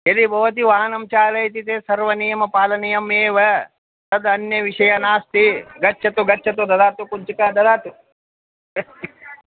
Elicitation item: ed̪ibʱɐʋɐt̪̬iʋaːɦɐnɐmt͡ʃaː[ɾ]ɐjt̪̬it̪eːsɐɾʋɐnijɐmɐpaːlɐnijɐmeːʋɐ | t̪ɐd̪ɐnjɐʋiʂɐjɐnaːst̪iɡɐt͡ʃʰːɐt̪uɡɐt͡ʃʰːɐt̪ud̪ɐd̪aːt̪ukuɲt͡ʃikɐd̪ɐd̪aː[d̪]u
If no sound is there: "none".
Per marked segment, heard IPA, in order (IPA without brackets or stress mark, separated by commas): l, t̪